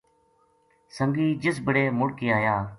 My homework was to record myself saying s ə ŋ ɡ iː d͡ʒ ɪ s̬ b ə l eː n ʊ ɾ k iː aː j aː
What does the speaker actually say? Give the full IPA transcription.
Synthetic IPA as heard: s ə ŋ ɡ iː d͡ʒ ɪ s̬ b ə ɽ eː m ʊ ɽ k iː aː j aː